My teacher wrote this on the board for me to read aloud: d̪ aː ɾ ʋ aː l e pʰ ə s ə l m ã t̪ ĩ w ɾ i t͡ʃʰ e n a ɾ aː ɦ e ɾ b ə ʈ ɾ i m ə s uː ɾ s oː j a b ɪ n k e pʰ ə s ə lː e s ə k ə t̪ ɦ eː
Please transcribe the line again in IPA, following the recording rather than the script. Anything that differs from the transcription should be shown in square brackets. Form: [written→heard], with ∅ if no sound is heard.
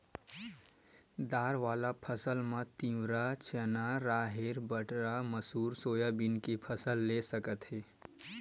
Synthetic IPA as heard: d̪ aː ɾ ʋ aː l [e→a] pʰ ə s ə l m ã t̪ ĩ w ɾ [i→a] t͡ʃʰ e n a ɾ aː ɦ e ɾ b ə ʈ ɾ [i→a] m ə s uː ɾ s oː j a b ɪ n k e pʰ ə s ə lː e s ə k ə t̪ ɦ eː